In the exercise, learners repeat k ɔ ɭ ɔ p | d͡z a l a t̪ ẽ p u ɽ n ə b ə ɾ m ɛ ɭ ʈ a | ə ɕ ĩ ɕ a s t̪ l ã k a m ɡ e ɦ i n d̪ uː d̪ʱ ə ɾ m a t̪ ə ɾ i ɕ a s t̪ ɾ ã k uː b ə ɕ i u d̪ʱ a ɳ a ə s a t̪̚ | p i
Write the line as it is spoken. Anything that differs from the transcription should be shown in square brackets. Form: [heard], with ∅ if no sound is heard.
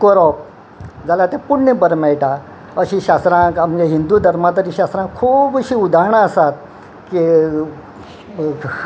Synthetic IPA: k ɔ [ɾ] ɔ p | d͡z a l a t̪ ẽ p u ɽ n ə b ə ɾ m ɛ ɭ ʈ a | ə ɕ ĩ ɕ a s t̪ [ɾ] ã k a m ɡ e ɦ i n d̪ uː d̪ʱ ə ɾ m a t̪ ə ɾ i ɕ a s t̪ ɾ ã [kʰ] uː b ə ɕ i u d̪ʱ a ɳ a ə s a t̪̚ | [k] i